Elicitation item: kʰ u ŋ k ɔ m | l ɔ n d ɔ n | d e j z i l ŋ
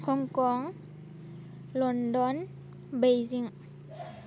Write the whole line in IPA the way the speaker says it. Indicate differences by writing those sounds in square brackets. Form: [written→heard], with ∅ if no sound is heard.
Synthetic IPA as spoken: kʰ [u→ɔ] ŋ k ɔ [m→ŋ] | l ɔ n d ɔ n | [d→b] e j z i [l→∅] ŋ